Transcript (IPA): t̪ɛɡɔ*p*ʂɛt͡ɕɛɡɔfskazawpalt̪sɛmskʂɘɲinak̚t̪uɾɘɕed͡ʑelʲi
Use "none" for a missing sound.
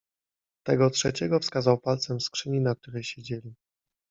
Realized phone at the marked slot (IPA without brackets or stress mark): t